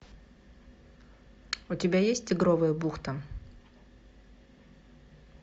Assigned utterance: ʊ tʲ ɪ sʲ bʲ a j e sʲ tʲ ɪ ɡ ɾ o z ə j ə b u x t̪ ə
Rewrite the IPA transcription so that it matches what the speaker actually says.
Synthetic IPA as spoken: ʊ tʲ ɪ bʲ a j e sʲ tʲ ɪ ɡ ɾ o v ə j ə b u x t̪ ə

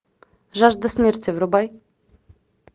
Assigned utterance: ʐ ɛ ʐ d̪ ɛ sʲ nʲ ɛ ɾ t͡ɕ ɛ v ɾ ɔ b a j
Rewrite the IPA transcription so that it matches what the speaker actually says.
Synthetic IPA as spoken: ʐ a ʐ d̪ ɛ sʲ mʲ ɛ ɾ t͡ɕ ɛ v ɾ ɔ b a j

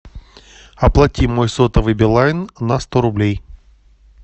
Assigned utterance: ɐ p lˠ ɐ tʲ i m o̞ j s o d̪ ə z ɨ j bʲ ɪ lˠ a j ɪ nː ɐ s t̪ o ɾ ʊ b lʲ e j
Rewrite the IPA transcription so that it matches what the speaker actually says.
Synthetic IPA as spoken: ɐ p lˠ ɐ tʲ i m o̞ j s o t̪ ə v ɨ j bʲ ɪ lˠ a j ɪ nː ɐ s t̪ o ɾ ʊ b lʲ e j

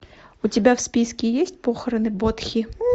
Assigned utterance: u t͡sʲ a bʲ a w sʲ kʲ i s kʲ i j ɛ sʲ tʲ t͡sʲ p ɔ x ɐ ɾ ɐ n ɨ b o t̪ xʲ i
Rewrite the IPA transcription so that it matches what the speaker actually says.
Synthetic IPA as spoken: u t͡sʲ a bʲ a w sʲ pʲ i s kʲ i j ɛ sʲ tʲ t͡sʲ p ɔ x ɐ ɾ ɐ n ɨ b ɔ t̪ xʲ i

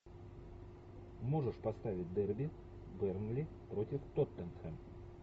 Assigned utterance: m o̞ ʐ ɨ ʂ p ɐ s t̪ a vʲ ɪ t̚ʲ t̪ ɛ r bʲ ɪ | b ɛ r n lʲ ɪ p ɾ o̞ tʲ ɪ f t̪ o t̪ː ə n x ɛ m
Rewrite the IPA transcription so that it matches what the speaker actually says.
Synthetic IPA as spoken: m o̞ ʐ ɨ ʂ p ɐ s t̪ a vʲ ɪ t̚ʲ d̪ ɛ r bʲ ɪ | b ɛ r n lʲ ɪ p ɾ o̞ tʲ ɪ f t̪ o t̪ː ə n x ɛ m

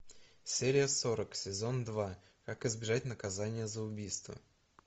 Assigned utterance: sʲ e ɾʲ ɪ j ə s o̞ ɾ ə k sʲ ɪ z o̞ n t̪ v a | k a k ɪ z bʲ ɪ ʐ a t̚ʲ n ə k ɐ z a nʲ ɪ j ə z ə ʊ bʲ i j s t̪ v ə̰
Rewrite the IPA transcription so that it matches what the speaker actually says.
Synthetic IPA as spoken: sʲ e ɾʲ ɪ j ə s o̞ ɾ ə k sʲ ɪ z o̞ n d̪ v a | k a k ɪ z bʲ ɪ ʐ a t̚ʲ n ə k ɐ z a nʲ ɪ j ə z ə ʊ bʲ i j s t̪ v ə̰

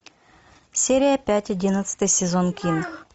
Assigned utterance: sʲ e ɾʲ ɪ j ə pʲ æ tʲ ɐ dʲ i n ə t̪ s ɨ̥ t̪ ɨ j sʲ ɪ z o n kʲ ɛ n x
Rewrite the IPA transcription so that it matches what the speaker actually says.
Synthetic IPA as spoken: sʲ e ɾʲ ɪ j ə pʲ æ tʲ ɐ dʲ i n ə t̪ s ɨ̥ t̪ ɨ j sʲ ɪ z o n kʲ i n x

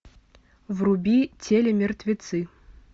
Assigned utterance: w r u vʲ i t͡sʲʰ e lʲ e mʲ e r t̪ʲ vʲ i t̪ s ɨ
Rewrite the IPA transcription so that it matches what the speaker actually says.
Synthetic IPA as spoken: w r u bʲ i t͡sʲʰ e lʲ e mʲ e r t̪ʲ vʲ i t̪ s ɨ

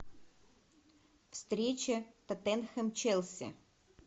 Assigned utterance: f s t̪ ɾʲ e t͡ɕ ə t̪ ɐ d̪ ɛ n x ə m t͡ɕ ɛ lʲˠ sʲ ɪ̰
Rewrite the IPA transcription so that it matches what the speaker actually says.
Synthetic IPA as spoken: f s t̪ ɾʲ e t͡ɕ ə t̪ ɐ t̪ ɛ n x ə m t͡ɕ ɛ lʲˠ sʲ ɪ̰

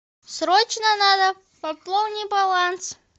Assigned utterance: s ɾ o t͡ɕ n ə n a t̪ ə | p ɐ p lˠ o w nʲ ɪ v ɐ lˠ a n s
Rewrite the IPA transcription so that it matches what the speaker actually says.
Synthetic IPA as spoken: s ɾ o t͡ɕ n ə n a d̪ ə | p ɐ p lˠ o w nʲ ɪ b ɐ lˠ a n s

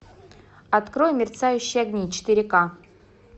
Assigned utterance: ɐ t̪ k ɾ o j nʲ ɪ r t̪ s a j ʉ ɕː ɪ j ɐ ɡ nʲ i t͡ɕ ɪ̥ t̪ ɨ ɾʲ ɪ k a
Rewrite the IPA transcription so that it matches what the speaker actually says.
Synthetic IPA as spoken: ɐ t̪ k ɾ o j mʲ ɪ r t̪ s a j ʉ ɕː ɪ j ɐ ɡ nʲ i t͡ɕ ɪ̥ t̪ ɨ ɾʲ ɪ k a

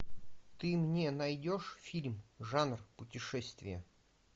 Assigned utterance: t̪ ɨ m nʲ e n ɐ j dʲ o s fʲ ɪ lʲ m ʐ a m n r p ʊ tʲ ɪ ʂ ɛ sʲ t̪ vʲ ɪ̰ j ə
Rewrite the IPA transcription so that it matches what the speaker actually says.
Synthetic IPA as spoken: t̪ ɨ m nʲ e n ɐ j dʲ o ʂ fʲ i lʲ m ʐ a n r p ʊ tʲ ɪ ʂ ɛ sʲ t̪ vʲ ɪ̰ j ə

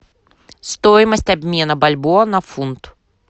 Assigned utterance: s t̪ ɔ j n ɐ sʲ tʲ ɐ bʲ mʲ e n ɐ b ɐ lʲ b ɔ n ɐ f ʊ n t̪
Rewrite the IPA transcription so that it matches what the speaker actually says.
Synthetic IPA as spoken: s t̪ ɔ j m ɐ sʲ tʲ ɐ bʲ mʲ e n ɐ b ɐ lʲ b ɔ n ɐ f u n t̪

